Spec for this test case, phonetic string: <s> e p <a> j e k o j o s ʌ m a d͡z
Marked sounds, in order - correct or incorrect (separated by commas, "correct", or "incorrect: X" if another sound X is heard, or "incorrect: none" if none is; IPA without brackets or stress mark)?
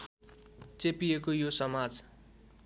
incorrect: t͡s, incorrect: i